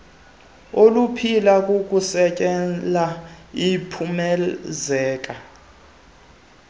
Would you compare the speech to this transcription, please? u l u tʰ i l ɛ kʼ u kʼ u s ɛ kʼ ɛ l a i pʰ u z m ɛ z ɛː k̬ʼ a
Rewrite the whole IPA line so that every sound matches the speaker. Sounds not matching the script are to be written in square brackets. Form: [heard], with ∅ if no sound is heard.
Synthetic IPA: [o] l u [pʰ] i l [a] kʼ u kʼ u s ɛ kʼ ɛ l a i pʰ u [∅] m ɛ z ɛː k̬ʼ a